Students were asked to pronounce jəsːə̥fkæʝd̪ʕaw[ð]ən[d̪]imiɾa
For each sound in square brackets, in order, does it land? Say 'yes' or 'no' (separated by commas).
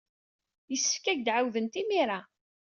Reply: yes, no